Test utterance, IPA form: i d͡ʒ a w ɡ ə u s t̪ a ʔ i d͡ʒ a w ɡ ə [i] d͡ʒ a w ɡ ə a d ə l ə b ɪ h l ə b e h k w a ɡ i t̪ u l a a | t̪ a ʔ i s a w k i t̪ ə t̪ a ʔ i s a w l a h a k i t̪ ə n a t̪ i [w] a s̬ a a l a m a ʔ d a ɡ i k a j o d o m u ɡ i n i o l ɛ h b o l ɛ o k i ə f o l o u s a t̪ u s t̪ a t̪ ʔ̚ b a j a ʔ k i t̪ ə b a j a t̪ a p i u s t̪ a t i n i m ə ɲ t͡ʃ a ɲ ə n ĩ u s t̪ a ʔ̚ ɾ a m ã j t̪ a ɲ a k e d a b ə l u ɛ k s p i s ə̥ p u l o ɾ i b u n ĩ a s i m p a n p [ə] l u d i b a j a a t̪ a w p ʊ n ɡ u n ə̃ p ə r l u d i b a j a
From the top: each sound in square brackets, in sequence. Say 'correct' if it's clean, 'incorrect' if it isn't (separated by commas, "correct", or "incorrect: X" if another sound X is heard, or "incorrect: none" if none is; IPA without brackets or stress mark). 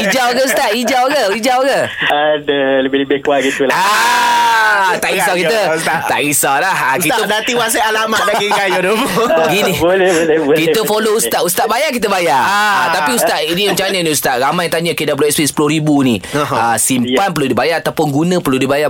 correct, correct, correct